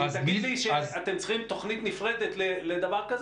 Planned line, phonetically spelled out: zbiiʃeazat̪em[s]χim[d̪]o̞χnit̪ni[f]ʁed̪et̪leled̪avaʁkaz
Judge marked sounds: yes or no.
no, no, yes

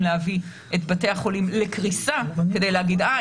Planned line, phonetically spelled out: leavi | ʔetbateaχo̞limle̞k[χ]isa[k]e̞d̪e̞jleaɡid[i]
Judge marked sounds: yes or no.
no, yes, no

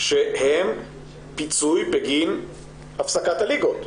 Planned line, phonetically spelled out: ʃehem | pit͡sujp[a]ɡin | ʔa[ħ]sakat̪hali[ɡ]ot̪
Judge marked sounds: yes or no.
no, no, yes

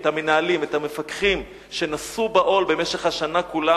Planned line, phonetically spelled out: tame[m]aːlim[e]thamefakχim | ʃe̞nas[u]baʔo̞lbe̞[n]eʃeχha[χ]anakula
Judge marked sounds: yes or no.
no, yes, yes, no, no

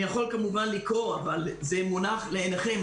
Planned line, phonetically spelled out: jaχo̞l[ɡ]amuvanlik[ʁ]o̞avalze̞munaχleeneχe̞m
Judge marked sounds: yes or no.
no, yes

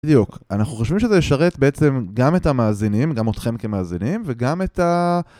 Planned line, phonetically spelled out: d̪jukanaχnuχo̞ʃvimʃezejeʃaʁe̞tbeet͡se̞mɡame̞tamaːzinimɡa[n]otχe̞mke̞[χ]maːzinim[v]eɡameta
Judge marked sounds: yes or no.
no, no, yes

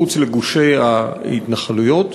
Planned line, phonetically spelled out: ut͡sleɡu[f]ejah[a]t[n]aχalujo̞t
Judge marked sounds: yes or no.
no, no, yes

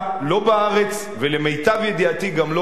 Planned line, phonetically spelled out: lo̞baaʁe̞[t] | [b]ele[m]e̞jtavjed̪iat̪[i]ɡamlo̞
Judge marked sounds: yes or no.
no, no, yes, yes

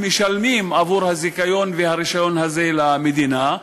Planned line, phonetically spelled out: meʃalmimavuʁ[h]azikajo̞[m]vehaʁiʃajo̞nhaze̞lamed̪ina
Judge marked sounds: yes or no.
yes, no

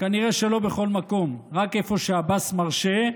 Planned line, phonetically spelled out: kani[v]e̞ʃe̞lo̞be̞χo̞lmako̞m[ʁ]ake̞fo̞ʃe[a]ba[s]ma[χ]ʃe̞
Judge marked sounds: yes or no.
no, yes, yes, yes, no

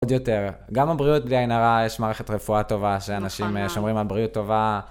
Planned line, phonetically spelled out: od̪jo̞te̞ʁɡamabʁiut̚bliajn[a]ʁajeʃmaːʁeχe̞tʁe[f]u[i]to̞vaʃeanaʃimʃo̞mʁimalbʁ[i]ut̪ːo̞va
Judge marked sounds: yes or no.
yes, yes, no, yes

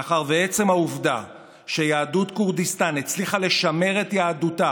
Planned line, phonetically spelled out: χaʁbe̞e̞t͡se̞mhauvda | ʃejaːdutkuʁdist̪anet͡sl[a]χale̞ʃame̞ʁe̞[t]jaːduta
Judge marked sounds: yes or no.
no, yes

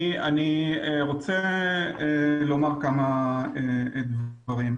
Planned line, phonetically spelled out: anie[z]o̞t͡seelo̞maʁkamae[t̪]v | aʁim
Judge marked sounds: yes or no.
no, no

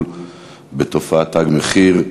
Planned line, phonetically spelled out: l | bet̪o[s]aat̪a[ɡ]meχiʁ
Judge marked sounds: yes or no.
no, yes

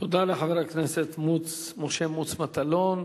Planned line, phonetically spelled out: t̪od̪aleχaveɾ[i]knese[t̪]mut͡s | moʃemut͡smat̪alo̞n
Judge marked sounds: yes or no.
no, yes

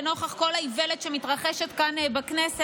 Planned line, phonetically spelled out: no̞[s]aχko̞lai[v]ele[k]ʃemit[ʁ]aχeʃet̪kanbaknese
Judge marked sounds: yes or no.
no, yes, no, yes

